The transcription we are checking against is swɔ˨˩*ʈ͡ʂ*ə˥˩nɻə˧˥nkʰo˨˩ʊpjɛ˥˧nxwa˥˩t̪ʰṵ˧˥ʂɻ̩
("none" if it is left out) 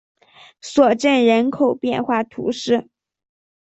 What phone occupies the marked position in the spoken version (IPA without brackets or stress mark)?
ʈ͡ʂ